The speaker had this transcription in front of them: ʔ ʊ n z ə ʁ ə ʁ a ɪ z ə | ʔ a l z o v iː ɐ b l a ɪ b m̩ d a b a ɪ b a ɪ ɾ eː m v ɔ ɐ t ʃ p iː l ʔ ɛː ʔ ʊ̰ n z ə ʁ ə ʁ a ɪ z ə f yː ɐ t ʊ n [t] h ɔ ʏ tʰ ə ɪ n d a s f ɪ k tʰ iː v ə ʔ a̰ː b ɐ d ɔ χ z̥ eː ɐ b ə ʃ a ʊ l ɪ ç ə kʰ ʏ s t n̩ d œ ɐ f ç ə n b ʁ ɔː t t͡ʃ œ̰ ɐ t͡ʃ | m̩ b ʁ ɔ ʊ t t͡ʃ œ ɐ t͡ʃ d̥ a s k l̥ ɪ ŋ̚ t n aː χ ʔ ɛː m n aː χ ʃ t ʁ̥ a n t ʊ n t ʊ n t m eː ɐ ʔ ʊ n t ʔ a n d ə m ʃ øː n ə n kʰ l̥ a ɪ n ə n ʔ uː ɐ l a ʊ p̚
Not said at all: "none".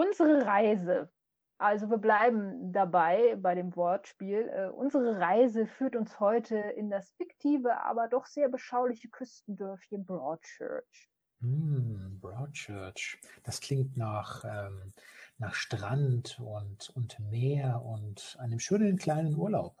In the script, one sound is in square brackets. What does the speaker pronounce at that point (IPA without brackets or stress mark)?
s